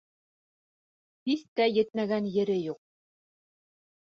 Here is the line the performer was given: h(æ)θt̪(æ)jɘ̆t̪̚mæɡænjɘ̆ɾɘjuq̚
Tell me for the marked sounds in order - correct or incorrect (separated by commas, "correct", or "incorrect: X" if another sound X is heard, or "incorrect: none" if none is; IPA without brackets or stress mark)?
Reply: incorrect: i, correct